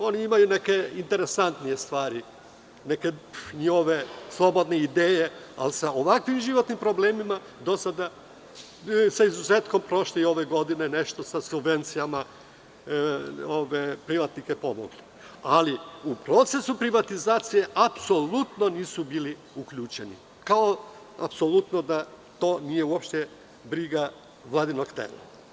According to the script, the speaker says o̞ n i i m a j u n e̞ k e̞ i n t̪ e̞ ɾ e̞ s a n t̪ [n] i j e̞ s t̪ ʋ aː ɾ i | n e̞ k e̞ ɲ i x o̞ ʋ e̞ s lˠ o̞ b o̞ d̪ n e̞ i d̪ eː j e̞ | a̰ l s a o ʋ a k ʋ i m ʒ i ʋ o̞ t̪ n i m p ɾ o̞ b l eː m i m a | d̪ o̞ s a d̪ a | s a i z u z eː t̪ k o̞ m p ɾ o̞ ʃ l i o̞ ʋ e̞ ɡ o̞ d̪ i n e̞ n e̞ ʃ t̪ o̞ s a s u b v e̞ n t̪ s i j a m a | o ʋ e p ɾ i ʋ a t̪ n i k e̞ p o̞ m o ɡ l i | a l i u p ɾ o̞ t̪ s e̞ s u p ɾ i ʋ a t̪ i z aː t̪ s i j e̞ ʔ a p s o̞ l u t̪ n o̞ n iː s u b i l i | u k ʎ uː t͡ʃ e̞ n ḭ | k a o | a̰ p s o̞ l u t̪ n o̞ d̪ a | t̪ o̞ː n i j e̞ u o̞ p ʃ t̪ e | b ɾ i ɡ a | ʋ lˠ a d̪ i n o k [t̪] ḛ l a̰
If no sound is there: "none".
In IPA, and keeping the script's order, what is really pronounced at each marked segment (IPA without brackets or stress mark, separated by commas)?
n, t̪